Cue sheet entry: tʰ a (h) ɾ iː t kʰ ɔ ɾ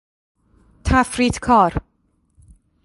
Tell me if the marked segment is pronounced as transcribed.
no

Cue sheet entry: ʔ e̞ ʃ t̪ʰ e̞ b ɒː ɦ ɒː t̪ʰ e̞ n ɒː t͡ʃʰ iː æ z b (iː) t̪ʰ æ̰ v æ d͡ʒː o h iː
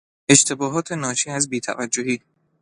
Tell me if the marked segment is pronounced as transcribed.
yes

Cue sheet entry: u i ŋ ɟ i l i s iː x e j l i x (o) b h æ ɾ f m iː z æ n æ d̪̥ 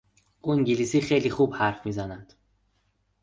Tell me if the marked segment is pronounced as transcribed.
no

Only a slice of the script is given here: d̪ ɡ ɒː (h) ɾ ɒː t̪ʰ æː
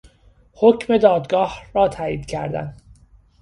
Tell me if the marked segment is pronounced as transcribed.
yes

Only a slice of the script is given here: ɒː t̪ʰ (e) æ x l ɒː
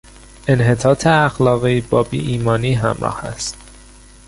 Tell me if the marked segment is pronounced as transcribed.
yes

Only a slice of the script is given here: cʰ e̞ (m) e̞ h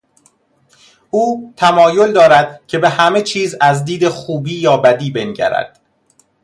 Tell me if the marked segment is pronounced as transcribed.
no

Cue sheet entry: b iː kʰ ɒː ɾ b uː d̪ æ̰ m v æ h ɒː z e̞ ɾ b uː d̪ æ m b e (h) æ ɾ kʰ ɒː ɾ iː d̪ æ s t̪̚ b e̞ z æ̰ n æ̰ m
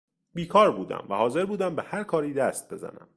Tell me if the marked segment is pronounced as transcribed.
yes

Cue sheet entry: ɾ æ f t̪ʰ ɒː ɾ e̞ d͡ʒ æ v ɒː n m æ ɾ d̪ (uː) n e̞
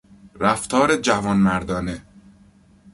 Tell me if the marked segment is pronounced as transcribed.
no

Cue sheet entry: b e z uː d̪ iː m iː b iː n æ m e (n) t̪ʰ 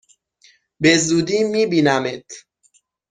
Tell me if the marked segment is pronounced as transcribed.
no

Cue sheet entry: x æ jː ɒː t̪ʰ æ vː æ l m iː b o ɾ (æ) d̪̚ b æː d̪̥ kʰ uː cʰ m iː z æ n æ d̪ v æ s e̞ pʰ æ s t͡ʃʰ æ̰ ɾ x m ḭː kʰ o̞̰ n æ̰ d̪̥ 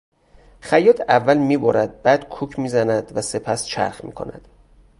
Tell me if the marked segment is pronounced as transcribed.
yes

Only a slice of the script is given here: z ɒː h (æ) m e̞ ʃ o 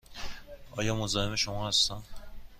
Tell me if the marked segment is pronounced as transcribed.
no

